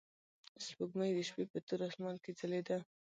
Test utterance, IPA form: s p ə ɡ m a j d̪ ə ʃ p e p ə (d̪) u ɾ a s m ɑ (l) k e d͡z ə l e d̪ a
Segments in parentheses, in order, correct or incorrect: incorrect: t̪, correct

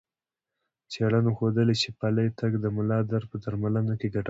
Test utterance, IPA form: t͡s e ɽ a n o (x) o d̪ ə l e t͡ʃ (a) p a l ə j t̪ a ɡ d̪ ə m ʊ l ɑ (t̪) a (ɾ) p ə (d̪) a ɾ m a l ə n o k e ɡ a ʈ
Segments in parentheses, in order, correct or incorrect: correct, incorrect: e, incorrect: d̪, correct, correct

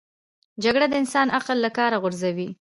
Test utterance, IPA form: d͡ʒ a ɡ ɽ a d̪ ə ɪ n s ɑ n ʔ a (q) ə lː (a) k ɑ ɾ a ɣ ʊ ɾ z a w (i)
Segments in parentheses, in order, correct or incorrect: correct, correct, correct

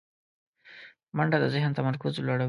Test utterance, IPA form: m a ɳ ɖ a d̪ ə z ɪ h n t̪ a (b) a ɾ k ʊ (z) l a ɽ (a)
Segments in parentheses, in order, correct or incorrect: incorrect: m, correct, correct

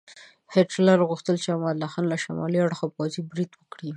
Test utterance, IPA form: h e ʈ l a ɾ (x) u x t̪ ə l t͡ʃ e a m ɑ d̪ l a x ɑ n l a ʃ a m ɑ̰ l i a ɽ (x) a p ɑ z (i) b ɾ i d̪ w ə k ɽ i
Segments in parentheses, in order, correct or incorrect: incorrect: ɣ, correct, correct

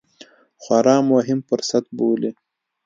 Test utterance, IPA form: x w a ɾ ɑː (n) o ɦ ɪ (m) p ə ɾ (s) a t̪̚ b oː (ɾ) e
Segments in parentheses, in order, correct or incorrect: incorrect: m, correct, correct, incorrect: l

